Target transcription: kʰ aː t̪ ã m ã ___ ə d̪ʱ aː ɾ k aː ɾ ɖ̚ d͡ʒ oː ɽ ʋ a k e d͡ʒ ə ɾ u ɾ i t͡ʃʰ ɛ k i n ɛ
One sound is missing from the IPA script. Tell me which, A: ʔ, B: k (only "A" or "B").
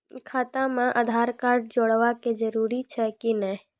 A